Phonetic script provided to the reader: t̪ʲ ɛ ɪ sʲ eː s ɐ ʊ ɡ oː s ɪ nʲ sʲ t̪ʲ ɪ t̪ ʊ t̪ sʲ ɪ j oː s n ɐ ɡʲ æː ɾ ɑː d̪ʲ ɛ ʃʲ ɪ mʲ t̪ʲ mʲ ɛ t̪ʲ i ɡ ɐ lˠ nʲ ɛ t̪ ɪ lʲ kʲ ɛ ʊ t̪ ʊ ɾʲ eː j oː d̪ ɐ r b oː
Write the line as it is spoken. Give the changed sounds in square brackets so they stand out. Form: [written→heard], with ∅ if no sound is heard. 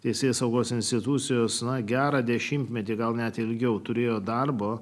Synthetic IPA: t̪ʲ ɛ ɪ sʲ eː s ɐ ʊ ɡ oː s ɪ nʲ sʲ t̪ʲ ɪ t̪ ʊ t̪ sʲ ɪ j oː s n ɐ ɡʲ æː ɾ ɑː d̪ʲ ɛ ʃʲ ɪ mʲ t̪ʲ mʲ ɛ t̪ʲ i ɡ ɐ lˠ nʲ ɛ t̪ ɪ lʲ [kʲ→ɡʲ] ɛ ʊ t̪ ʊ ɾʲ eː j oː d̪ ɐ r b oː